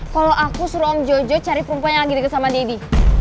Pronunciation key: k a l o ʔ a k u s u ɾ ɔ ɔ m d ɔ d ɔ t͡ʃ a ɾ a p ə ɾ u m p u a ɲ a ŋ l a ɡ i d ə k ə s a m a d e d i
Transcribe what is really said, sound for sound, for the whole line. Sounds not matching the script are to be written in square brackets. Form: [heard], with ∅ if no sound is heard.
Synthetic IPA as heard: k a l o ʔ a k u s u ɾ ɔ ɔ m [d͡ʒ] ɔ [d͡ʒ] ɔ t͡ʃ a ɾ [i] p ə ɾ u m p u a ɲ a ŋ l a ɡ i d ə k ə s a m a d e d i